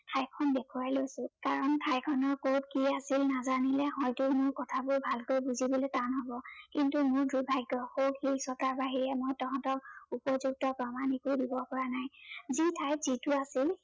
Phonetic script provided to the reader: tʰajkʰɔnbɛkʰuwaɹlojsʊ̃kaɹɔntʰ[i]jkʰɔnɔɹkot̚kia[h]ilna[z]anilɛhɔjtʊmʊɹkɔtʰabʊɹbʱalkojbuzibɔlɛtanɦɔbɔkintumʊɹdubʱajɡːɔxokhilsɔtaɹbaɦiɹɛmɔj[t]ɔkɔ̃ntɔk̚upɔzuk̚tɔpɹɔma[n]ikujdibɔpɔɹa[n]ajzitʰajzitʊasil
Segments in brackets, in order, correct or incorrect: incorrect, incorrect, correct, correct, correct, correct

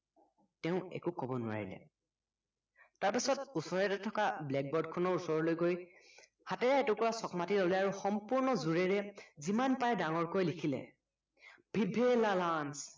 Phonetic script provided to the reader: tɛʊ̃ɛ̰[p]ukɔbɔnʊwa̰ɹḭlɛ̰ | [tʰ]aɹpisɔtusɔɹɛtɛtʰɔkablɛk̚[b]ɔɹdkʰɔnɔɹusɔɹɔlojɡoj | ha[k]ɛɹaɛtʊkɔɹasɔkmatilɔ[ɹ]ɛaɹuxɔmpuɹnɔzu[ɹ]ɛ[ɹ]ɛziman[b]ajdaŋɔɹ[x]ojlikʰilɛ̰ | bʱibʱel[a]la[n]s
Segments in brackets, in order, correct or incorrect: incorrect, incorrect, correct, incorrect, incorrect, correct, correct, incorrect, incorrect, correct, correct

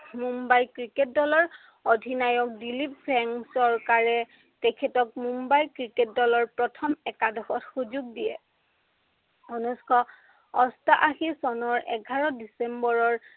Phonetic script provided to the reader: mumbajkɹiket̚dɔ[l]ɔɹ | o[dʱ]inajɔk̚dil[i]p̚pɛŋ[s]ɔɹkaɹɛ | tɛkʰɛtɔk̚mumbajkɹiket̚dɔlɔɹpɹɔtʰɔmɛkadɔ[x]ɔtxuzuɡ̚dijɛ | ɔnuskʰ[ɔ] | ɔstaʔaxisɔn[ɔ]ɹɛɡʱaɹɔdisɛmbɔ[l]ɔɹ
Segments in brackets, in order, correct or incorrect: correct, correct, correct, correct, correct, correct, correct, incorrect

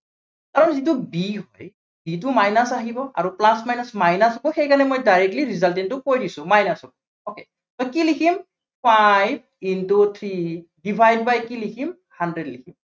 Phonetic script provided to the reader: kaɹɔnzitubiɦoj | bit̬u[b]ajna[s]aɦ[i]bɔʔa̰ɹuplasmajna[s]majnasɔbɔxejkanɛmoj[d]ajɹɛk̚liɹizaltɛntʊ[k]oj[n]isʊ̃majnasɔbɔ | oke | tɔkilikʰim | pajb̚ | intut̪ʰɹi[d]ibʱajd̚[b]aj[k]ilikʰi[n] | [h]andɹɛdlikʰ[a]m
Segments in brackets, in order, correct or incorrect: incorrect, correct, correct, correct, correct, correct, incorrect, correct, correct, correct, incorrect, correct, incorrect

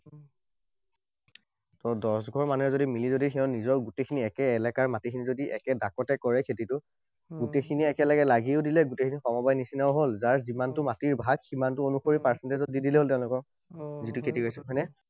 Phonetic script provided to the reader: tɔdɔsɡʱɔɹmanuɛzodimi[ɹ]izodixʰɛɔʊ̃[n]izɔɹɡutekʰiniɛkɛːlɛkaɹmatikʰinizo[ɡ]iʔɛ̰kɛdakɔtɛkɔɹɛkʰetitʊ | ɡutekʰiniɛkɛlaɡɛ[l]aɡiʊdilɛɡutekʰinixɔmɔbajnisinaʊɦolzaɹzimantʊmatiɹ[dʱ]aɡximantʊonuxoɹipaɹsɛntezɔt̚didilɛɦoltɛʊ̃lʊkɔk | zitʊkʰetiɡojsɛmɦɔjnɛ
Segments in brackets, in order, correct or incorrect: incorrect, correct, incorrect, correct, incorrect

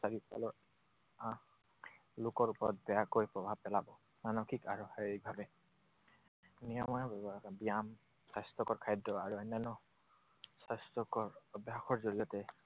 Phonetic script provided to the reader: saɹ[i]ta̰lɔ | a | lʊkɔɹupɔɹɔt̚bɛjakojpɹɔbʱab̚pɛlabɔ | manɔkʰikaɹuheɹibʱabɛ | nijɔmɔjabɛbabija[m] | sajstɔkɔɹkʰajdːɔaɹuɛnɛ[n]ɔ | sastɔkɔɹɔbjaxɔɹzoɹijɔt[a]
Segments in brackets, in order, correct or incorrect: correct, correct, correct, incorrect

